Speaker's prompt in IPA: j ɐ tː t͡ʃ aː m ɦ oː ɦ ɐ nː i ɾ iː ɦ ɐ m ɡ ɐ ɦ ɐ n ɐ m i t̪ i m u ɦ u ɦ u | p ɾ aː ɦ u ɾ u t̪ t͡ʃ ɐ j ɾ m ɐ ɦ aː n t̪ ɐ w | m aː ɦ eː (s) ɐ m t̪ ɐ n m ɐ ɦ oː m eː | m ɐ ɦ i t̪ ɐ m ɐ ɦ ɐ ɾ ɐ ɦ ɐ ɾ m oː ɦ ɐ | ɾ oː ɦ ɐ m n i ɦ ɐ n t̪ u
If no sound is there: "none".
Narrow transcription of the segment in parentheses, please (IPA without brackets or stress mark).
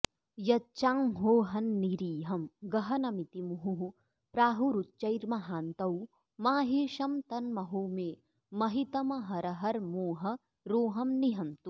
ʃ